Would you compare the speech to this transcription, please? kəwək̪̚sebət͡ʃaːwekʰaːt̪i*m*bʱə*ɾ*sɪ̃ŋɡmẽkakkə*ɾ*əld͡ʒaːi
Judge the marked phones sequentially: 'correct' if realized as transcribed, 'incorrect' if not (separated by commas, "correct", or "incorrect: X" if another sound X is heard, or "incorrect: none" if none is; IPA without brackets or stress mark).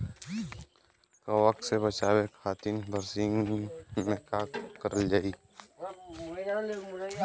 incorrect: n, correct, correct